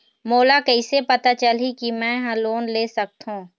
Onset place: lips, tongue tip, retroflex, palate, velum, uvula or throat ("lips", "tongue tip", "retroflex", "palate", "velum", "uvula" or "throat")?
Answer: lips